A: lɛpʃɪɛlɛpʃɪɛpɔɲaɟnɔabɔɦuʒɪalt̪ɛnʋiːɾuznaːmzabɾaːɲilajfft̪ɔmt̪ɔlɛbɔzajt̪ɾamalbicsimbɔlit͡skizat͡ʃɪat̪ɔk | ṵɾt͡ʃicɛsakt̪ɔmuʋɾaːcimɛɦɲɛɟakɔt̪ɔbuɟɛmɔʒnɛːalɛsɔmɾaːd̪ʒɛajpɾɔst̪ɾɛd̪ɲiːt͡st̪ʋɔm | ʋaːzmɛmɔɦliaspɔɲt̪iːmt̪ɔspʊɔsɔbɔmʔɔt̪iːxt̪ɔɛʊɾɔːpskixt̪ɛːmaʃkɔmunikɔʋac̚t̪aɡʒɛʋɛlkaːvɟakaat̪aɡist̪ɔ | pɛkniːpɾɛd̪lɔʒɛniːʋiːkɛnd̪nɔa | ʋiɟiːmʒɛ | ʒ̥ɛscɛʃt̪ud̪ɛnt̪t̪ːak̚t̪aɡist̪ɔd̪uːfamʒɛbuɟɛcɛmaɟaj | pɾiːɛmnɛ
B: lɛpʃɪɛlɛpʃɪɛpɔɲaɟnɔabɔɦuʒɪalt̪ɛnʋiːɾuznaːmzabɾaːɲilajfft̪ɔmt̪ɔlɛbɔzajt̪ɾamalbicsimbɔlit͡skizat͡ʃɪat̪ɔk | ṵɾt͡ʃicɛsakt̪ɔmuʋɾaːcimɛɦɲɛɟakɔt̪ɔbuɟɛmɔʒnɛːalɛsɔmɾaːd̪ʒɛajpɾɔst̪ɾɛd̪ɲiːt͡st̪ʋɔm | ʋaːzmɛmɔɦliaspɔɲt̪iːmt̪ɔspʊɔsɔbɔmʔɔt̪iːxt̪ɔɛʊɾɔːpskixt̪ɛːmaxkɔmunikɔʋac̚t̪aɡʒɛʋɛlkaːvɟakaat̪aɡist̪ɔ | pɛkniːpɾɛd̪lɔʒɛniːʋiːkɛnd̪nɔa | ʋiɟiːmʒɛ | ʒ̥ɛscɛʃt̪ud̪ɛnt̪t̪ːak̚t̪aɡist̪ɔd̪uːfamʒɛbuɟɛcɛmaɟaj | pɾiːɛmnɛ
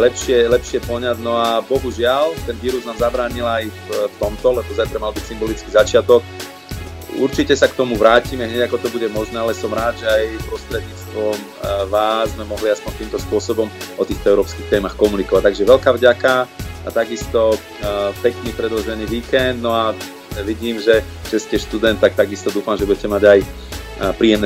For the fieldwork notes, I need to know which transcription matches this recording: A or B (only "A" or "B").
B